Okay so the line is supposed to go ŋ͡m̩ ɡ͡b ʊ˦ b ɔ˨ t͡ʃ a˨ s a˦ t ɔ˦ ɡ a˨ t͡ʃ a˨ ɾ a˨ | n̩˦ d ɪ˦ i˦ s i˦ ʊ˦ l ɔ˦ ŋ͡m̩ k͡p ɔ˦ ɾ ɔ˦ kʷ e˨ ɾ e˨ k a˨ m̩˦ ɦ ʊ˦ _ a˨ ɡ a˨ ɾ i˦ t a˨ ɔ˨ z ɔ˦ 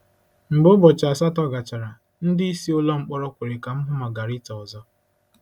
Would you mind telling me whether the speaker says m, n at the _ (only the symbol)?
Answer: m